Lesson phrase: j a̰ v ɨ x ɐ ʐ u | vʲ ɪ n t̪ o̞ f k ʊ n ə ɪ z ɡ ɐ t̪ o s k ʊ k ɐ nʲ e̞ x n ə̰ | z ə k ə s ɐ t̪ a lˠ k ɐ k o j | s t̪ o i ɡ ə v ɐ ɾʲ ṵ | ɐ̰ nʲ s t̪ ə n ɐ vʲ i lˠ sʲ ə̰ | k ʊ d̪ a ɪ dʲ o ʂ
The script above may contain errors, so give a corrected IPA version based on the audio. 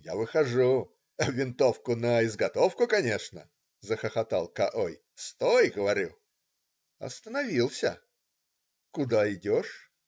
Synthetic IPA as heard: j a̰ v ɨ x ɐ ʐ u | vʲ ɪ n t̪ o̞ f k ʊ n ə ɪ z ɡ ɐ t̪ o f k ʊ k ɐ nʲ e̞ ʂ n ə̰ | z ə x ə x ɐ t̪ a lˠ k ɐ ʔ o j | s t̪ o j ɡ ə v ɐ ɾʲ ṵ | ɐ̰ s t̪ ə n ɐ vʲ i lˠ sʲ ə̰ | k ʊ d̪ a ɪ dʲ o ʂ